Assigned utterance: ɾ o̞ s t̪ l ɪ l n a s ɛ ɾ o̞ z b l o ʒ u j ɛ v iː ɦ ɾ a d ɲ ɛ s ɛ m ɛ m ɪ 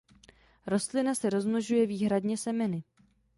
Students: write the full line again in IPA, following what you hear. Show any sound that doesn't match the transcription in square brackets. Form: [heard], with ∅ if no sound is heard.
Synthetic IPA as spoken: ɾ o̞ s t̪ l ɪ [∅] n a s ɛ ɾ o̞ z [m] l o ʒ u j ɛ v iː ɦ ɾ a d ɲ ɛ s ɛ m ɛ [n] ɪ